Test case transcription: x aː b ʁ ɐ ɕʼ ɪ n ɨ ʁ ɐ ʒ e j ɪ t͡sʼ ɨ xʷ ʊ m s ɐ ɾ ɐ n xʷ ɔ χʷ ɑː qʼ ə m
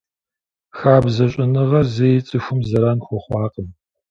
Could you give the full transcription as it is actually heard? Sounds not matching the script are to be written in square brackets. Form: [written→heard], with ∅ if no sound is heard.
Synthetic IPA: x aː b [ʁ→z] ɐ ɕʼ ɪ n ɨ ʁ ɐ [ʒ→z] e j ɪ t͡sʼ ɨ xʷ ʊ m [s→z] ɐ ɾ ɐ n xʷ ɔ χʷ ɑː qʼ ə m